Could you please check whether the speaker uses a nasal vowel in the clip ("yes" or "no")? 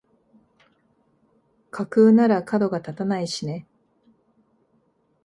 no